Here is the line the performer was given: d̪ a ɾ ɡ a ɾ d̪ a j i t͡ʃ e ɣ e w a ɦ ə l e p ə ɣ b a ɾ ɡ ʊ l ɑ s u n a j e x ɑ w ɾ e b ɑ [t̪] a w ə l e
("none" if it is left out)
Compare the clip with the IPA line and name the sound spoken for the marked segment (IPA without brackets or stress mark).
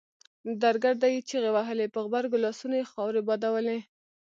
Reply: d̪